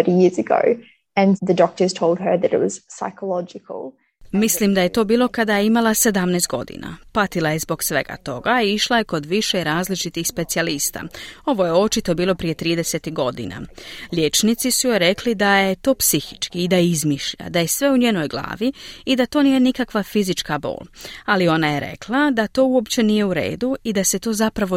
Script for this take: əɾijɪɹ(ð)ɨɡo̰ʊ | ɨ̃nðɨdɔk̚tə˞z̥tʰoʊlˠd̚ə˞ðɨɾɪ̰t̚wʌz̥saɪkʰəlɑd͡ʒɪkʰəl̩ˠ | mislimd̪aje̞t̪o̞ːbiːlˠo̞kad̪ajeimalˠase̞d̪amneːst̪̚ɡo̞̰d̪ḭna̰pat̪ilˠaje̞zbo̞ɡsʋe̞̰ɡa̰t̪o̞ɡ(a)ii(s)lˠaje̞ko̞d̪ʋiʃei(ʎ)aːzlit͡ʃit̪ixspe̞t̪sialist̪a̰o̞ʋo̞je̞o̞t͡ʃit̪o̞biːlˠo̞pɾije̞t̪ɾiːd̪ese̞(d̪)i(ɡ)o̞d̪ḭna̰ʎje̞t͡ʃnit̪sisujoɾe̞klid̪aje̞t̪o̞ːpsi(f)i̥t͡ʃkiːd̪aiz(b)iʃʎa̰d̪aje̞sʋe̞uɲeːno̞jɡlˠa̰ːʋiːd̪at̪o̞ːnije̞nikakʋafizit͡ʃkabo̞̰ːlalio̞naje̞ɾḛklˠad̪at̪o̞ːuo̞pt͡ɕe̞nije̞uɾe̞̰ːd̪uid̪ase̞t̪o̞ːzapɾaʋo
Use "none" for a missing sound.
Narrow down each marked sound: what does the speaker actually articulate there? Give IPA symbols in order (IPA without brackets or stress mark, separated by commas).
z, a, ʃ, ɾ, t̪, ɡ, x, m